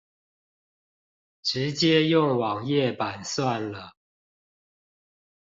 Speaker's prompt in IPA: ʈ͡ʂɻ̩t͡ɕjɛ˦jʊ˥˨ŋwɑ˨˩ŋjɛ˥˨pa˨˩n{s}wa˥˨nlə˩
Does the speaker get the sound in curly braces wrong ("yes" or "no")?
no